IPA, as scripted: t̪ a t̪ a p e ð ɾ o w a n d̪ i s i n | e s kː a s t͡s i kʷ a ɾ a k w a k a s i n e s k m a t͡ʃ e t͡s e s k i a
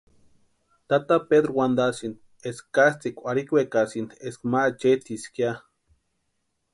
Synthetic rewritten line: t̪ a t̪ a p e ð ɾ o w a n d̪ a s i n | e s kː a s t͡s i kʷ a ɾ i k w e k a s i n e s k m a t͡ʃ e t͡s i s k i a